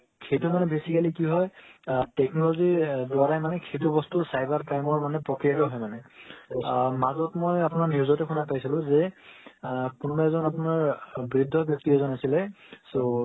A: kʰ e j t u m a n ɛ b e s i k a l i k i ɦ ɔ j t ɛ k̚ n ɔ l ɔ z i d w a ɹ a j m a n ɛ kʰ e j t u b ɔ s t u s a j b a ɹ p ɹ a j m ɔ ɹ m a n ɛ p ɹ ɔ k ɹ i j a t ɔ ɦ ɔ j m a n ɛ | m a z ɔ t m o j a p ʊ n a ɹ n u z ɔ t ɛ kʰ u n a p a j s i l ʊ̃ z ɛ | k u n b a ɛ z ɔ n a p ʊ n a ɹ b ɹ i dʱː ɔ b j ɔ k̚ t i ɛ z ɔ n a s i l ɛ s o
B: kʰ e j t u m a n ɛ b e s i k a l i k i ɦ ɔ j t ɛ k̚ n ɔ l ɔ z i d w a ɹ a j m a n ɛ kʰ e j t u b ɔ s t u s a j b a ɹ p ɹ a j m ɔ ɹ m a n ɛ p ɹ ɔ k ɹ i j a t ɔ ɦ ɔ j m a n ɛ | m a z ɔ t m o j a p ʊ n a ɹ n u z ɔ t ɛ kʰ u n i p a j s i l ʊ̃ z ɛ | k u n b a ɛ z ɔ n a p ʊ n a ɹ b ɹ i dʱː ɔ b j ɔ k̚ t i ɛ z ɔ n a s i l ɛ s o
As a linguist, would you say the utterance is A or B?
A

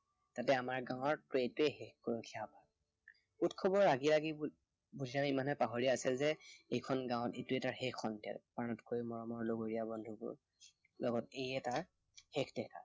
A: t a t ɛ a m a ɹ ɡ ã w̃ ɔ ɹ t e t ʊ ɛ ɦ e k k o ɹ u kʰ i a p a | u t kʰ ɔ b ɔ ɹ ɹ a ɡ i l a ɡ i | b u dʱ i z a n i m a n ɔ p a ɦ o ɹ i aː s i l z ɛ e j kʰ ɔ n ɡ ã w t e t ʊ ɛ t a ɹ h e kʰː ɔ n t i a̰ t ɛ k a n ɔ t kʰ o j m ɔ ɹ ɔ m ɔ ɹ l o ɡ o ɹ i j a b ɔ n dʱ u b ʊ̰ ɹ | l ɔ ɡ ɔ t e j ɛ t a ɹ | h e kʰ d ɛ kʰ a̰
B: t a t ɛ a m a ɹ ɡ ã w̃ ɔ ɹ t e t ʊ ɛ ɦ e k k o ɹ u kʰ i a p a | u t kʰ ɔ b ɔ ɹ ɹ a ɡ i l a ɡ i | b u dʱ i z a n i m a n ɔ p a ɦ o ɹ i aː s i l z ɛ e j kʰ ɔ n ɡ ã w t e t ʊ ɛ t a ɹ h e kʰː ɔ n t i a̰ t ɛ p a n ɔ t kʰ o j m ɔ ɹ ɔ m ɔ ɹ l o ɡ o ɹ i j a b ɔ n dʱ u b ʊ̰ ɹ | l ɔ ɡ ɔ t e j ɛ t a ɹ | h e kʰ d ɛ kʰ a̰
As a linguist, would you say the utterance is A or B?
B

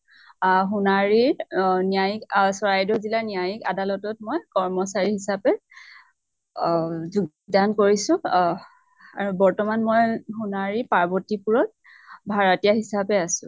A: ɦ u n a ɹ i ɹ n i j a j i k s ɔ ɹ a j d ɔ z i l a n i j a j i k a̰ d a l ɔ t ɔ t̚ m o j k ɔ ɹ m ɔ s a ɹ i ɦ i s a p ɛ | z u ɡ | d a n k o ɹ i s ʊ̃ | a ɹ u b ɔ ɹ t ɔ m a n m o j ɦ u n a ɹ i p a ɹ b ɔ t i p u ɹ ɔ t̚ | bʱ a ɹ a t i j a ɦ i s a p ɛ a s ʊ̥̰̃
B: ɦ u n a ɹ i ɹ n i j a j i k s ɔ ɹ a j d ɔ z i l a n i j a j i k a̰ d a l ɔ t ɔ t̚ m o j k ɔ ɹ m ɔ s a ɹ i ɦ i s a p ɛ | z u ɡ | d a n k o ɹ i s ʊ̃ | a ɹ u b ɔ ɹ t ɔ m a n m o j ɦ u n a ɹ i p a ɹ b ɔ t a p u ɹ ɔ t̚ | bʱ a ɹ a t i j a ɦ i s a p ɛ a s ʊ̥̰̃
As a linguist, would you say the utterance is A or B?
A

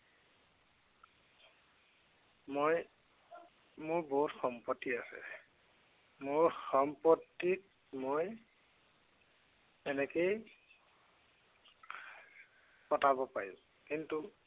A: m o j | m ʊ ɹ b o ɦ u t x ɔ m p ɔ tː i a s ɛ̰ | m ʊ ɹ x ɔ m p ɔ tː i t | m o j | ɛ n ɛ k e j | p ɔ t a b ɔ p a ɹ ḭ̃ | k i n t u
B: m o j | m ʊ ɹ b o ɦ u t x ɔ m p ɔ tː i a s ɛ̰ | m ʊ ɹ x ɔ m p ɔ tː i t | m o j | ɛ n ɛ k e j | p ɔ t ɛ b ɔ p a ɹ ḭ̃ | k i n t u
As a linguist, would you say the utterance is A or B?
A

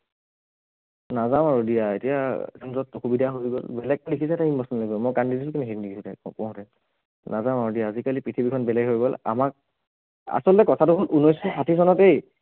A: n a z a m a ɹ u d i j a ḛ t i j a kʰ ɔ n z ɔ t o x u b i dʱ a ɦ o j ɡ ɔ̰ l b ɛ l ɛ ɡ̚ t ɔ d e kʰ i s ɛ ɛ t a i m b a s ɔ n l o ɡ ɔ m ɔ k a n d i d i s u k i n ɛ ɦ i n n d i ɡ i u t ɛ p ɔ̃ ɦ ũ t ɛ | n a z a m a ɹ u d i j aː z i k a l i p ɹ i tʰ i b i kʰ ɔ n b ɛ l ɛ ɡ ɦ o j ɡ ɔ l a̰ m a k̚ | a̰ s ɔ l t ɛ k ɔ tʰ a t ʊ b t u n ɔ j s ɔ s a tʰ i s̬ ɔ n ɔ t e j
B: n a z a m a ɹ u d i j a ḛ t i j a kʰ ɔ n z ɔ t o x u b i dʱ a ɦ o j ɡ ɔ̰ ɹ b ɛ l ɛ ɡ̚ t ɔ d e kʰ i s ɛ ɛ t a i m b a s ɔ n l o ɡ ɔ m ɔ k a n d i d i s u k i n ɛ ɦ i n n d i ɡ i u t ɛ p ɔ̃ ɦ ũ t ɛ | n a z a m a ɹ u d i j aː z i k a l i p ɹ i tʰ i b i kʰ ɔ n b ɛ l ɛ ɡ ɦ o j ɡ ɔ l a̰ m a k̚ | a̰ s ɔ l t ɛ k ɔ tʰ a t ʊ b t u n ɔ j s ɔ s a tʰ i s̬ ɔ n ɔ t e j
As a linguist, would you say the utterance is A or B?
A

